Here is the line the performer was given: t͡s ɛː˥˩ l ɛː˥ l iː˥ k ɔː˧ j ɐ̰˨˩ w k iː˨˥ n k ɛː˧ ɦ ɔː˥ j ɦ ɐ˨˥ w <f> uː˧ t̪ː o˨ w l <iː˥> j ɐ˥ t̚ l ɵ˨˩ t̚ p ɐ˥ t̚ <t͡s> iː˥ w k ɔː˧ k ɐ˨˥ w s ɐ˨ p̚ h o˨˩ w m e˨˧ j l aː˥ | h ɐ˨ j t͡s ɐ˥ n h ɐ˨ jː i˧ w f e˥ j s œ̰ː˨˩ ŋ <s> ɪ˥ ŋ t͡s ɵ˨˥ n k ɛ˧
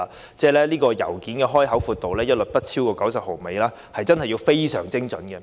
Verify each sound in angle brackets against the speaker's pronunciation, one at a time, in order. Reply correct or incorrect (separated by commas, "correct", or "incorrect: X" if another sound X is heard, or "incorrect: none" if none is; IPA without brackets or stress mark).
correct, incorrect: ɛː˥, incorrect: t͡sʰ, incorrect: t͡s